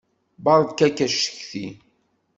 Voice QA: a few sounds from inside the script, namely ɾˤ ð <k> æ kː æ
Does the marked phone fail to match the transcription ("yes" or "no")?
no